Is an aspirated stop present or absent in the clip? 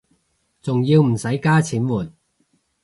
present